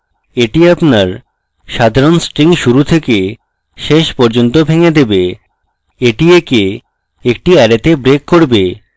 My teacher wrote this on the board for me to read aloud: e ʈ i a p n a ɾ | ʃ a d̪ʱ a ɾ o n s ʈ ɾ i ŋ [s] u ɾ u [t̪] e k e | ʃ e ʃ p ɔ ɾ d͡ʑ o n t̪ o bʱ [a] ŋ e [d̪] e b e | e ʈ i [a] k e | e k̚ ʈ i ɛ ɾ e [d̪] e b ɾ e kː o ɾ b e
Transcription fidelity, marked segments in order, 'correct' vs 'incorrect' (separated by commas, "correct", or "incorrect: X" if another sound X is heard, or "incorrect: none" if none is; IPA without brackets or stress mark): incorrect: ʃ, incorrect: t̪ʰ, incorrect: e, correct, incorrect: e, incorrect: t̪